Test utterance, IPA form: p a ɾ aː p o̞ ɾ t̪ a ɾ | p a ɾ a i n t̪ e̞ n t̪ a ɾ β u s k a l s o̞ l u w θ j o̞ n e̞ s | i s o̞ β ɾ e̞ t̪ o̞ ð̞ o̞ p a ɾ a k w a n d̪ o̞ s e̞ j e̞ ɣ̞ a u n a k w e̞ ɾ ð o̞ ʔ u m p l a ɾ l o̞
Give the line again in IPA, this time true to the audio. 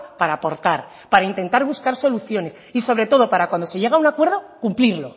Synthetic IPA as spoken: p a ɾ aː p o̞ ɾ t̪ a ɾ | p a ɾ a i n t̪ e̞ n t̪ a ɾ β u s k a ɾ s o̞ l u θ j o̞ n e̞ s | i s o̞ β ɾ e̞ t̪ o̞ ð̞ o̞ p a ɾ a k w a n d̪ o̞ s e̞ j e̞ ɣ̞ a u n a k w e̞ ɾ ð o̞ k u m p l i ɾ l o̞